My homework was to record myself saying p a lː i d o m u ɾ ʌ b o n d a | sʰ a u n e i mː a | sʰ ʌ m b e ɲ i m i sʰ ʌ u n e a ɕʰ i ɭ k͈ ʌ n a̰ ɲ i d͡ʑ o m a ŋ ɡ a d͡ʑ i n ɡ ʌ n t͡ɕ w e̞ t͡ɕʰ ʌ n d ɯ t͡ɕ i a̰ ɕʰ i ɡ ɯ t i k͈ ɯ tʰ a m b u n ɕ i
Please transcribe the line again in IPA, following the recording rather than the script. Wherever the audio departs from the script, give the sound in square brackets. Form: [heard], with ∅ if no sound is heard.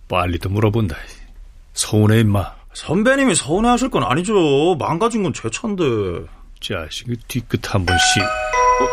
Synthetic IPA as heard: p a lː i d o m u ɾ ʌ b o n d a | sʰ [ʌ] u n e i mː a | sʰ ʌ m b e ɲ i m i sʰ ʌ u n e a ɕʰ i ɭ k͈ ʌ n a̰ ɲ i d͡ʑ o m a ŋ ɡ a d͡ʑ i n ɡ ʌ n t͡ɕ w e̞ t͡ɕʰ ʌ n d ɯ t͡ɕ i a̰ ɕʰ i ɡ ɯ t i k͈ ɯ tʰ a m b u n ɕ i